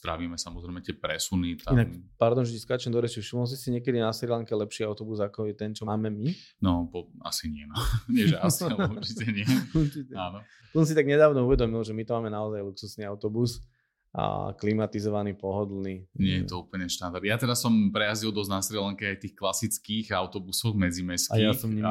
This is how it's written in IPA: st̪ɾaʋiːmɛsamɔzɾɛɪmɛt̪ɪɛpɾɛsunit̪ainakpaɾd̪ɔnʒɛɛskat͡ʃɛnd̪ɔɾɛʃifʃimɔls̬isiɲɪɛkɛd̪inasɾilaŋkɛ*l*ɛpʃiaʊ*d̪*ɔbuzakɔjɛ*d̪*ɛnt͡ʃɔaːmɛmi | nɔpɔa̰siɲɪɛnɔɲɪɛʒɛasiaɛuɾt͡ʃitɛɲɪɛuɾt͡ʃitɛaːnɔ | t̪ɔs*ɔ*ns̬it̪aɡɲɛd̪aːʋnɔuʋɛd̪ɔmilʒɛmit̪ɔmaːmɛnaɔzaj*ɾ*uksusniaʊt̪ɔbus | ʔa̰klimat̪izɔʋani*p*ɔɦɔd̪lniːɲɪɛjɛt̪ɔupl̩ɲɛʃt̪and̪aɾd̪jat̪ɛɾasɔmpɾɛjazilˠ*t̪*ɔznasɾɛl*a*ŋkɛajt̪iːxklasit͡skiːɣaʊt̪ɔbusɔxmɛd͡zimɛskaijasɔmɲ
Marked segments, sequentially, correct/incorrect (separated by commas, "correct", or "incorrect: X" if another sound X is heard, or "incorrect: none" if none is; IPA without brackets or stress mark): correct, incorrect: t̪, incorrect: t̪, correct, incorrect: l, correct, incorrect: d̪, correct